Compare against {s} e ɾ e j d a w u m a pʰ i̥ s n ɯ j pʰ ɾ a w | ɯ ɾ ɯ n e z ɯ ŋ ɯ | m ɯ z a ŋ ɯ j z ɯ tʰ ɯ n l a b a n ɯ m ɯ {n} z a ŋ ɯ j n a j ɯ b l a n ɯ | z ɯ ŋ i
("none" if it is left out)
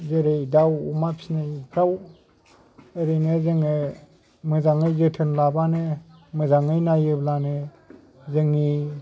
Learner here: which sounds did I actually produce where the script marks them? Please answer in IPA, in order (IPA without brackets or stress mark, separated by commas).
z, none